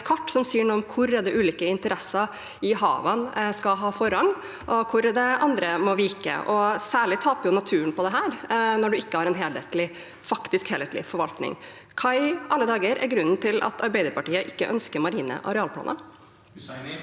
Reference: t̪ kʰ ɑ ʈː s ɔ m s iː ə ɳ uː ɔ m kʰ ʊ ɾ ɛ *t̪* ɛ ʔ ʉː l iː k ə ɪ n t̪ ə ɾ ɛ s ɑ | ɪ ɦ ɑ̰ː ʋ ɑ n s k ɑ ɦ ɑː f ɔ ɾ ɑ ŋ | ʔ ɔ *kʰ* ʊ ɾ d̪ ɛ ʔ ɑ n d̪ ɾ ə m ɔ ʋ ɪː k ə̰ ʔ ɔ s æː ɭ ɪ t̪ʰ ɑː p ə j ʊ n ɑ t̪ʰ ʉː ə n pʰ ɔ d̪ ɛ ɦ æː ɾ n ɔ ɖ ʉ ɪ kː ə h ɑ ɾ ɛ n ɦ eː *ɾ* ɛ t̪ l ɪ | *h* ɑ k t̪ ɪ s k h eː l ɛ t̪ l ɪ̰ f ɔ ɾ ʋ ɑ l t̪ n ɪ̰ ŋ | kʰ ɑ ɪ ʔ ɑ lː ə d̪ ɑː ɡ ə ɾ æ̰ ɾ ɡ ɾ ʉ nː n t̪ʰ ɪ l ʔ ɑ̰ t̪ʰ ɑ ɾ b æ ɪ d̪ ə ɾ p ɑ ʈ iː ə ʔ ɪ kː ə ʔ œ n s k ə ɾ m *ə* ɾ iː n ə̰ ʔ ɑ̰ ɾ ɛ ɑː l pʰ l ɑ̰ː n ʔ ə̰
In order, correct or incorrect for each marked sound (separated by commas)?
incorrect, correct, incorrect, incorrect, incorrect